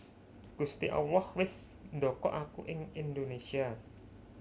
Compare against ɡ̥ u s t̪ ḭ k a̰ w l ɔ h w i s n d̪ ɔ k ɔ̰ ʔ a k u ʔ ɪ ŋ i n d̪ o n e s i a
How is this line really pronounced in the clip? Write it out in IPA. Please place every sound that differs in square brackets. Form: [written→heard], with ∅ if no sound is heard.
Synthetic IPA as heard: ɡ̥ u s t̪ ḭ [k→ʔ] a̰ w l ɔ h w [i→ɪ] s n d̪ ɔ k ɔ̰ ʔ a k u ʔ ɪ ŋ i n d̪ o n e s i a